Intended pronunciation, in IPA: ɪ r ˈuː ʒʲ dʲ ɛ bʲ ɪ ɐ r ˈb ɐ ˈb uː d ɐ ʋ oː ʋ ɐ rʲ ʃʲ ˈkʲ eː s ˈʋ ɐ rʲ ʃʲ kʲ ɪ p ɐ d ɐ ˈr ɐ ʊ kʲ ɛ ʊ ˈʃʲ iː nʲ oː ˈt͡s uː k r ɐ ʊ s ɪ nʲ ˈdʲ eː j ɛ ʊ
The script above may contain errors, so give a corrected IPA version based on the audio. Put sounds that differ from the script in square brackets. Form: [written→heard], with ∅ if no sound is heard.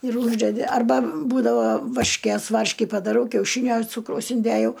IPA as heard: ɪ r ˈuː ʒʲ dʲ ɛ [bʲ→dʲ] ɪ ɐ r ˈb ɐ ˈb uː d ɐ ʋ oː ʋ ɐ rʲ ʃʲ ˈkʲ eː s ˈʋ ɐ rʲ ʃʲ kʲ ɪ p ɐ d ɐ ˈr ɐ ʊ kʲ ɛ ʊ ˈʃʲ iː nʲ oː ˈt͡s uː k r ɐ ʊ s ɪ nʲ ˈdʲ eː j ɛ ʊ